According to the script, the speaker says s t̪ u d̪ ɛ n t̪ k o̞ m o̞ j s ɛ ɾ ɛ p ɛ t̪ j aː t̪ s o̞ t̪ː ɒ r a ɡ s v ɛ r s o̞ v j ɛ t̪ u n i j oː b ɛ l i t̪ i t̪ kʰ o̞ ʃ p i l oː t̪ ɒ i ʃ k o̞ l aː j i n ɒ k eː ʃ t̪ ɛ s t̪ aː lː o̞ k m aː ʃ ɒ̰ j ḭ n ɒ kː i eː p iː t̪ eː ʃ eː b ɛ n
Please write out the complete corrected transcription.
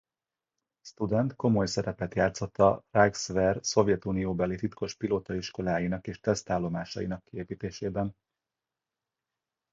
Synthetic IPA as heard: s t̪ u d̪ ɛ n t̪ k o̞ m o̞ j s ɛ ɾ ɛ p ɛ t̪ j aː t̪ s o̞ t̪ː ɒ r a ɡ s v ɛ r s o̞ v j ɛ t̪ u n i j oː b ɛ l i t̪ i t̪ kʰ o̞ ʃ p i l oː t̪ ɒ i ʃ k o̞ l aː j i n ɒ k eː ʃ t̪ ɛ s t̪ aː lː o̞ m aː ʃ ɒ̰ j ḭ n ɒ kː i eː p iː t̪ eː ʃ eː b ɛ n